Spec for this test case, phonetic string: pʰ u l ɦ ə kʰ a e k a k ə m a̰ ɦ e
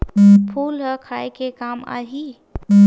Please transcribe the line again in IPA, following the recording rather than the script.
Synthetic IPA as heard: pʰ u l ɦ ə kʰ a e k e k a m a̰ ɦ i